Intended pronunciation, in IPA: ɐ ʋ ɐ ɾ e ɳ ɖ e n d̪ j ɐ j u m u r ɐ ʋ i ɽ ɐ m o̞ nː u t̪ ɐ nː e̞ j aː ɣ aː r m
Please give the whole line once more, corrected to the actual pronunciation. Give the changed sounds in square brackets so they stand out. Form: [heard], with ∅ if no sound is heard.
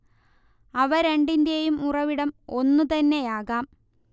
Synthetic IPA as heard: ɐ ʋ ɐ ɾ e ɳ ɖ [i] n d̪ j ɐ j u m u r ɐ ʋ i ɽ ɐ m o̞ nː u t̪ ɐ nː e̞ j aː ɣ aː [∅] m